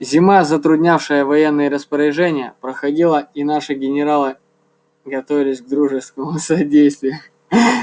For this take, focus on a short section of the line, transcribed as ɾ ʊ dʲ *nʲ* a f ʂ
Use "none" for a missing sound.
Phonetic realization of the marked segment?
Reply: nʲ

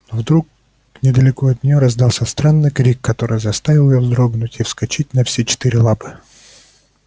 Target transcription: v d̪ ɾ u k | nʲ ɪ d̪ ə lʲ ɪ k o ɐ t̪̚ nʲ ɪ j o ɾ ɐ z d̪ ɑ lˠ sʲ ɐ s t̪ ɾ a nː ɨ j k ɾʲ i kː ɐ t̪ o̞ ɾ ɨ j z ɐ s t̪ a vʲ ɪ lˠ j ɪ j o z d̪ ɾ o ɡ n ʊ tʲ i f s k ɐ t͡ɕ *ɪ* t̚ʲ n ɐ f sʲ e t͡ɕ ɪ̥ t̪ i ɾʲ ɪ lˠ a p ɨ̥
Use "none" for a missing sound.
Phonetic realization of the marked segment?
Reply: i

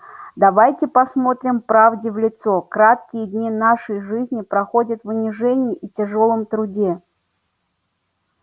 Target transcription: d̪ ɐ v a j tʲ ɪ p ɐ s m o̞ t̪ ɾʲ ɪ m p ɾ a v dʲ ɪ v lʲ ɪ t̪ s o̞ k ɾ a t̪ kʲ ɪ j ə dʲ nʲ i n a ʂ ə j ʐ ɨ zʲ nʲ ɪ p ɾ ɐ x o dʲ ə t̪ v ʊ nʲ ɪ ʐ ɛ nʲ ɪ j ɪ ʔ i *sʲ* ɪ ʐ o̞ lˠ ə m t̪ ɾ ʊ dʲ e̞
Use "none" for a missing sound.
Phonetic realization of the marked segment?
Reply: tʲ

